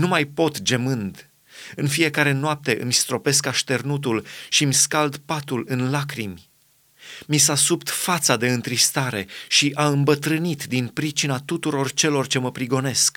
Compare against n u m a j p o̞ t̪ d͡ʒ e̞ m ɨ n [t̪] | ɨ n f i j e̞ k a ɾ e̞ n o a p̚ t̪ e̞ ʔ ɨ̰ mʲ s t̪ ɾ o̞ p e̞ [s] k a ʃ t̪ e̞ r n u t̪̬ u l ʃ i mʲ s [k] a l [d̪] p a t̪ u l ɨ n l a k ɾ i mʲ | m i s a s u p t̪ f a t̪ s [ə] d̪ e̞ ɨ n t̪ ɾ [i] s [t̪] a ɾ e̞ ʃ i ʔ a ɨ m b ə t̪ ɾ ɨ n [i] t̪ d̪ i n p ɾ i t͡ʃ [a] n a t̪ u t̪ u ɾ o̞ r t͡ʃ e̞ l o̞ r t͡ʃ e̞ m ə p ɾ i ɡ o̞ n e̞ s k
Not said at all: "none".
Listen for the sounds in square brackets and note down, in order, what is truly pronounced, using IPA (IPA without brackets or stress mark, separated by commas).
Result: d̪, s, k, d̪, a, i, t̪, i, i